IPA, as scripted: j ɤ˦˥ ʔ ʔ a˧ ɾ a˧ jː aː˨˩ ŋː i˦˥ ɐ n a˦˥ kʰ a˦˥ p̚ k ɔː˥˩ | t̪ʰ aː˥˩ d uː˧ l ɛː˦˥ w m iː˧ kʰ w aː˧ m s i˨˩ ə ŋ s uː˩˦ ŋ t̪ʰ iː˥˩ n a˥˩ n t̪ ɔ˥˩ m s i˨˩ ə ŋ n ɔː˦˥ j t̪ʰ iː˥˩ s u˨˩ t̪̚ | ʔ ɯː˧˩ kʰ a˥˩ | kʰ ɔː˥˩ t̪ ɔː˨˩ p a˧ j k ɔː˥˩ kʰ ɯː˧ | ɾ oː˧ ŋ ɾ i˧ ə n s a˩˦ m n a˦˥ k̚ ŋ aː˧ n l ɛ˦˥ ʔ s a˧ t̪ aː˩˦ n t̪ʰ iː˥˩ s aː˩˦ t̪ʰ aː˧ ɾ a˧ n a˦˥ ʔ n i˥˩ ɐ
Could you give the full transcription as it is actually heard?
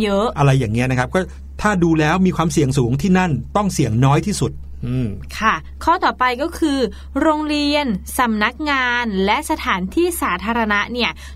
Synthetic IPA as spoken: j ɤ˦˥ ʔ ʔ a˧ ɾ a˧ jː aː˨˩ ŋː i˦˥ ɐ n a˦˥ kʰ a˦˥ p̚ k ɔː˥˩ | t̪ʰ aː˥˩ d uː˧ l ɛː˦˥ w m iː˧ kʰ w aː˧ m s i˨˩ ə ŋ s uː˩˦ ŋ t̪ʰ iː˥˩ n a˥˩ n t̪ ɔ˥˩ ŋ s i˨˩ ə ŋ n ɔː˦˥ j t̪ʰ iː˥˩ s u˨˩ t̪̚ | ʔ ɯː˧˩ kʰ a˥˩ | kʰ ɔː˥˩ t̪ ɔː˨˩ p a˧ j k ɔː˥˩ kʰ ɯː˧ | ɾ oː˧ ŋ ɾ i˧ ə n s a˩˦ m n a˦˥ k̚ ŋ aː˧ n l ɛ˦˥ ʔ s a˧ t̪ʰ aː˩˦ n t̪ʰ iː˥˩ s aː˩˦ t̪ʰ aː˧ ɾ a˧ n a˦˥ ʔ n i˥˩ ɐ